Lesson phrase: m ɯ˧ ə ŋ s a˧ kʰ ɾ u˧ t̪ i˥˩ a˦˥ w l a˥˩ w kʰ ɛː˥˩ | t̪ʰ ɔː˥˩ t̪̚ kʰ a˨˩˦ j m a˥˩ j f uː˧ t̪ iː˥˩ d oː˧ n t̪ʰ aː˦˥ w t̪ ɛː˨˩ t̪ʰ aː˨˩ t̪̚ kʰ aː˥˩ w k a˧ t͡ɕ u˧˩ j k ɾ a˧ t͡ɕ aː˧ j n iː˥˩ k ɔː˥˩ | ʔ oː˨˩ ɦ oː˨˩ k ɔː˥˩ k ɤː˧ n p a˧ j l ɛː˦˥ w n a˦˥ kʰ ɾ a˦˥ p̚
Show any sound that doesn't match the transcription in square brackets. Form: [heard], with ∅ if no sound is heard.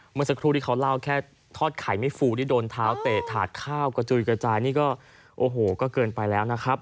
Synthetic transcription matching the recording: m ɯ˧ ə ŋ s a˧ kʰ ɾ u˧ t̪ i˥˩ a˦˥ w l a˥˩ w kʰ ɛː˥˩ | t̪ʰ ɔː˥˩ t̪̚ kʰ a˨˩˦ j m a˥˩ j f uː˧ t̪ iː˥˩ d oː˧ n t̪ʰ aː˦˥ w t̪ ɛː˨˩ t̪ʰ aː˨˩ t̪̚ kʰ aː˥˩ w k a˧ t͡ɕ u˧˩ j k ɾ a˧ t͡ɕ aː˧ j n iː˥˩ k ɔː˥˩ | ʔ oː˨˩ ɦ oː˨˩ k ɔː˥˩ k ɤː˧ n p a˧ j l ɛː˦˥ w n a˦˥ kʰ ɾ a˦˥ p̚

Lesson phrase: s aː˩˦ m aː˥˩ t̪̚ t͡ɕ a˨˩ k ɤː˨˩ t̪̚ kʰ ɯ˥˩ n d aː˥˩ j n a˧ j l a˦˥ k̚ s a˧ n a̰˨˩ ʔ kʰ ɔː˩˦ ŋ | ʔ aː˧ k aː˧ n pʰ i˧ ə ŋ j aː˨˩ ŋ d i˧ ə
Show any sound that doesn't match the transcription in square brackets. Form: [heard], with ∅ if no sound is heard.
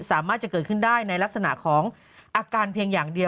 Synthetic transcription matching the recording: s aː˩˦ m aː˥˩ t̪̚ t͡ɕ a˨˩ k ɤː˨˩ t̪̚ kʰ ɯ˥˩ n d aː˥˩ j n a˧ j l a˦˥ k̚ s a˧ n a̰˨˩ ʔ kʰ ɔː˩˦ ŋ | ʔ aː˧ k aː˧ n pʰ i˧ ə ŋ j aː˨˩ ŋ d i˧ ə

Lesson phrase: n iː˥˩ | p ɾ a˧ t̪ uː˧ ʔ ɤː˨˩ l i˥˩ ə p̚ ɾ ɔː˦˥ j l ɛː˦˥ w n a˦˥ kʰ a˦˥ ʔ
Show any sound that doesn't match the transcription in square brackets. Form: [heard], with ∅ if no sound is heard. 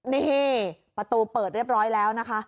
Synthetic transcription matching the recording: n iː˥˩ | p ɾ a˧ t̪ uː˧ [p] ɤː˨˩ [ɾ] i˥˩ ə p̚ ɾ ɔː˦˥ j l ɛː˦˥ w n a˦˥ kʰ a˦˥ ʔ

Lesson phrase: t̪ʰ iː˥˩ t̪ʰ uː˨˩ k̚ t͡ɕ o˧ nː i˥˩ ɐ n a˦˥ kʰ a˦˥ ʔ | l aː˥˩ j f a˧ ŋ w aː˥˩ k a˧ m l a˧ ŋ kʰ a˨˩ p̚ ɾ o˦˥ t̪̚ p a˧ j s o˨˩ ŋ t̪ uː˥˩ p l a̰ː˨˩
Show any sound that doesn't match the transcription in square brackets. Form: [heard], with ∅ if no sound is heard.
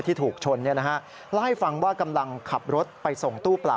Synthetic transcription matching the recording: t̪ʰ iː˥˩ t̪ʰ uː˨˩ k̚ [t͡ɕʰ] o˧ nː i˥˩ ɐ n a˦˥ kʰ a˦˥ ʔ | l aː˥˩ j f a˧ ŋ w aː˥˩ k a˧ m l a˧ ŋ kʰ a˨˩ p̚ ɾ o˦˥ t̪̚ p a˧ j s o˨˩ ŋ t̪ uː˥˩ p l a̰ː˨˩

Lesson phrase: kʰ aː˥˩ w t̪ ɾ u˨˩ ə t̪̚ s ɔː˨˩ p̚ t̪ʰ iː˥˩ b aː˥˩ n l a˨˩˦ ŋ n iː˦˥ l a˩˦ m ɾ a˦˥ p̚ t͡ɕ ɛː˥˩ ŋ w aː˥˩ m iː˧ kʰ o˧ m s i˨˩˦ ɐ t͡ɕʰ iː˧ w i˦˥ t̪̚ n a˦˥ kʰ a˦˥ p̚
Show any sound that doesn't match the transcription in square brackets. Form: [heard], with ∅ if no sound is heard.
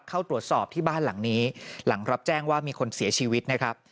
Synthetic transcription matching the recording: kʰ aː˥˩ w t̪ ɾ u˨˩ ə t̪̚ s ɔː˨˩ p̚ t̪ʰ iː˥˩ b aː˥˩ n l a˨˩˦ ŋ n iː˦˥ l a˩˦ [ŋ] ɾ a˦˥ p̚ t͡ɕ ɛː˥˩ ŋ w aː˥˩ m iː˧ kʰ o˧ [n] s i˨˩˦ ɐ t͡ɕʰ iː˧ w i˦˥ t̪̚ n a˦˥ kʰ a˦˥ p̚

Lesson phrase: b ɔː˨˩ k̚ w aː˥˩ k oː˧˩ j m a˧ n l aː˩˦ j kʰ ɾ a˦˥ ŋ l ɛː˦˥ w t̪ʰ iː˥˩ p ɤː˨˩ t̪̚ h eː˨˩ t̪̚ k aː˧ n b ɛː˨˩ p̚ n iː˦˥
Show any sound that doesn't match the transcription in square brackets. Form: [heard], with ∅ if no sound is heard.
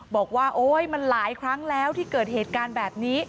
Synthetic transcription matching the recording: b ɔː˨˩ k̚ w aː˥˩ [ʔ] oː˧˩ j m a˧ n l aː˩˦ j kʰ ɾ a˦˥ ŋ l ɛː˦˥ w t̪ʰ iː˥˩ [k] ɤː˨˩ t̪̚ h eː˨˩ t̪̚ k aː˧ n b ɛː˨˩ p̚ n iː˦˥

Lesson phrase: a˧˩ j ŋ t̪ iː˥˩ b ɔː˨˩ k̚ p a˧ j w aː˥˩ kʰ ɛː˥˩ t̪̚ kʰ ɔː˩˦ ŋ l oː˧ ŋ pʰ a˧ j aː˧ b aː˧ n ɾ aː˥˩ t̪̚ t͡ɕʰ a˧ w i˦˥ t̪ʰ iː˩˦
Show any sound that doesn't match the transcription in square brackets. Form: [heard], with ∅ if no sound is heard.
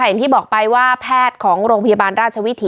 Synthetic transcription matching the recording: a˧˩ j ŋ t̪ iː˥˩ b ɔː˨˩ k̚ p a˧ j w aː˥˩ [pʰ] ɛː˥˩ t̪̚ kʰ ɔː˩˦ ŋ [ɾ] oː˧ ŋ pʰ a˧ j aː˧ b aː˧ n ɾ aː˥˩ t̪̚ t͡ɕʰ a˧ w i˦˥ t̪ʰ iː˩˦

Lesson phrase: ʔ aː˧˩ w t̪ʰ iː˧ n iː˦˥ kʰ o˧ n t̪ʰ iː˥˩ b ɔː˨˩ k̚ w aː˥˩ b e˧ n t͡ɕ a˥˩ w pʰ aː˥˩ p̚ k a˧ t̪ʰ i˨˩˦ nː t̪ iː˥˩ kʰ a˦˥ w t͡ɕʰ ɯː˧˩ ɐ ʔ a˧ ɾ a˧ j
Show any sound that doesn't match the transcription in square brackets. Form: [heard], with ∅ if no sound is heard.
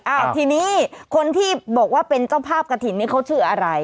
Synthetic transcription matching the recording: ʔ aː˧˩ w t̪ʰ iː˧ n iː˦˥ kʰ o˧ n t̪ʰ iː˥˩ b ɔː˨˩ k̚ w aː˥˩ [p] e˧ n t͡ɕ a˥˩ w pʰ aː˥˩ p̚ k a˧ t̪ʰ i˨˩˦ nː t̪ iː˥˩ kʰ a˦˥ w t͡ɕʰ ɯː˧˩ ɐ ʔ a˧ ɾ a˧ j

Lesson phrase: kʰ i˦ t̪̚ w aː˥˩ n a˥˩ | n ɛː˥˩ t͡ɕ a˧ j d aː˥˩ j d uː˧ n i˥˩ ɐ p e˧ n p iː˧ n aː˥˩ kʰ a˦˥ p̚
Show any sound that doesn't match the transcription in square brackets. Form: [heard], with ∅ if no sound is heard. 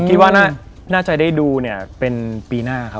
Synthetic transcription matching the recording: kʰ i˦ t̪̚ w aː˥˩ n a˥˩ | n [aː˥˩] t͡ɕ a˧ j d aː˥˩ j d uː˧ n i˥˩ ɐ p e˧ n p iː˧ n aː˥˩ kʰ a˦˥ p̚

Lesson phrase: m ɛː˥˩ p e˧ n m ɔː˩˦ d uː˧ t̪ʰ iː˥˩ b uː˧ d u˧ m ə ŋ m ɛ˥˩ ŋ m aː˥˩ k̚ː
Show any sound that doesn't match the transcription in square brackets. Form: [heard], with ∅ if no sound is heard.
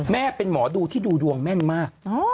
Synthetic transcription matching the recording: m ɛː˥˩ p e˧ n m ɔː˩˦ d uː˧ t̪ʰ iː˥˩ [d] uː˧ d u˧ [∅] ə ŋ m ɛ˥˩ [n] m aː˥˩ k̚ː

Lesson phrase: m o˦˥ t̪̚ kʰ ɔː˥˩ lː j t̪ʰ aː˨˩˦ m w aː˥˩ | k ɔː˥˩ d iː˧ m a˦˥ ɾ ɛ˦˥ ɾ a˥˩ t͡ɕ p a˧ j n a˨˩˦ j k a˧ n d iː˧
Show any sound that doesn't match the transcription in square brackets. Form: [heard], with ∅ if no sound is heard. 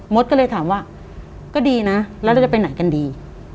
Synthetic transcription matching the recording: m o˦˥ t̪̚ [k] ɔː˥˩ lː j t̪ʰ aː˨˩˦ m w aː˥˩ | k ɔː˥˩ d iː˧ [n] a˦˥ [l] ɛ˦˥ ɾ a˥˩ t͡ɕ p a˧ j n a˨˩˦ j k a˧ n d iː˧

